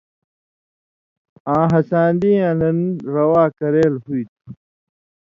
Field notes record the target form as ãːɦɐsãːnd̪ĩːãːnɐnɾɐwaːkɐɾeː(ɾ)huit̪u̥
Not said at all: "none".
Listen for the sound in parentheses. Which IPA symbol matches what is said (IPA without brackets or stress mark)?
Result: l